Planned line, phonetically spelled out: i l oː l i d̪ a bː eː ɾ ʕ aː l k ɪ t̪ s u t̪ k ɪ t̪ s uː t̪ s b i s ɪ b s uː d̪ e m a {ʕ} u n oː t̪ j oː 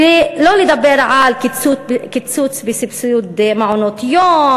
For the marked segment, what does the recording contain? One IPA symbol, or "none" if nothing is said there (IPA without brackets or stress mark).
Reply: ʕ